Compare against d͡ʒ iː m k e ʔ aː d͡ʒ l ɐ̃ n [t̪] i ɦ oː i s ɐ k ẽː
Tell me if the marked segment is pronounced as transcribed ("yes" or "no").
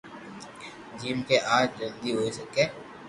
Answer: no